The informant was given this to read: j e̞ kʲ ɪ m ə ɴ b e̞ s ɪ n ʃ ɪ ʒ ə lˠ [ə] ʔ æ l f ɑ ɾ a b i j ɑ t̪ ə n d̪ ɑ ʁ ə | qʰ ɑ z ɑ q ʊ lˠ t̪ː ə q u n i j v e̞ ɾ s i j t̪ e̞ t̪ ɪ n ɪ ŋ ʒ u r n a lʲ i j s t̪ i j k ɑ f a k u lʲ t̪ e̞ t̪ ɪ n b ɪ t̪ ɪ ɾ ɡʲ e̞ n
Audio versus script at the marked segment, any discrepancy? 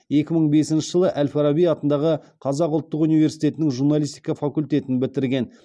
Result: no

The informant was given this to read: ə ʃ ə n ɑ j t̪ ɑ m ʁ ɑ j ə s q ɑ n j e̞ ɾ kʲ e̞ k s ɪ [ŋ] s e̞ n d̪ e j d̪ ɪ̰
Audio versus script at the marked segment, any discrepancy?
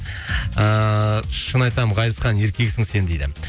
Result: no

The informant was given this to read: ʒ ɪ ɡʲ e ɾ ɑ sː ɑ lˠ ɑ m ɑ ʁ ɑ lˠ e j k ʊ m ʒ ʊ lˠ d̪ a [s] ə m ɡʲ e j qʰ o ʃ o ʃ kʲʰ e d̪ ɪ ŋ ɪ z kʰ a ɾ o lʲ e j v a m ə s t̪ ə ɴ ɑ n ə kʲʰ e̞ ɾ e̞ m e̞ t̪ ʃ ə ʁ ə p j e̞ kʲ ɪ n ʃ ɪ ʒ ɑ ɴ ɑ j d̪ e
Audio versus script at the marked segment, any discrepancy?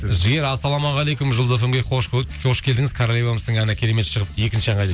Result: yes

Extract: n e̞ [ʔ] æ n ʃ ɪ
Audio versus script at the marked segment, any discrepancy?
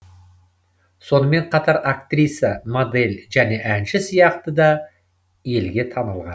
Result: no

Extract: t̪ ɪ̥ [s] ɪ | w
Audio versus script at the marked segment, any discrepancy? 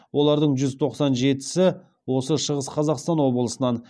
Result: no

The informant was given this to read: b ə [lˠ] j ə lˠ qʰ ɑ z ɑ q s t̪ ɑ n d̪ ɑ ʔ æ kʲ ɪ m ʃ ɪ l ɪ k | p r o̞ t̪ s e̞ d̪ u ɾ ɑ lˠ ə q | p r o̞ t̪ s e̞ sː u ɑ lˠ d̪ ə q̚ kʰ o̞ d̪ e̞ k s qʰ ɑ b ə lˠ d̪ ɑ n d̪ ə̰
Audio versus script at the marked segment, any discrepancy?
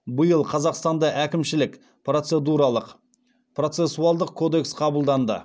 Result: yes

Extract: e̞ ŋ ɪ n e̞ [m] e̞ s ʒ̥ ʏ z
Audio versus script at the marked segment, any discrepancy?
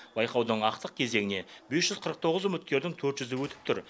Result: yes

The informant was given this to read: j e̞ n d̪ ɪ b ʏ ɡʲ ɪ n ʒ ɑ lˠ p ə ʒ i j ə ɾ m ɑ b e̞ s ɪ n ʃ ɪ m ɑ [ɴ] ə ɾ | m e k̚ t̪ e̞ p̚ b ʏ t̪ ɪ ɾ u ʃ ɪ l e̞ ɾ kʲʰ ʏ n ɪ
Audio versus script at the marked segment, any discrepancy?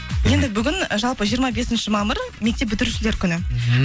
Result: yes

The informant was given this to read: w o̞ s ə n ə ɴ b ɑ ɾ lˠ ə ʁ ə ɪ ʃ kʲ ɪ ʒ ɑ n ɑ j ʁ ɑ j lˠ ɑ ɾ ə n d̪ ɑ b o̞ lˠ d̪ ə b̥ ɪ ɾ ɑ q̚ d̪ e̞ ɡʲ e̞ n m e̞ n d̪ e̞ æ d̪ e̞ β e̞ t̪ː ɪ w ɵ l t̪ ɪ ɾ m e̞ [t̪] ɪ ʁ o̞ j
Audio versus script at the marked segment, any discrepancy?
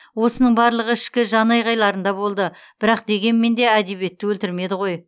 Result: yes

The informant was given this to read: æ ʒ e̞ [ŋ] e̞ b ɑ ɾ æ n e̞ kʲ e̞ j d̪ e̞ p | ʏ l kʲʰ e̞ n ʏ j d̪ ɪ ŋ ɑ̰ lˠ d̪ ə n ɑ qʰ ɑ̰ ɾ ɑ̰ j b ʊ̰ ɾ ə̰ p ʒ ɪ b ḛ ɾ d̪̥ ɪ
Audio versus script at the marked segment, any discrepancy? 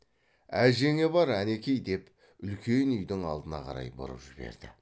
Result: no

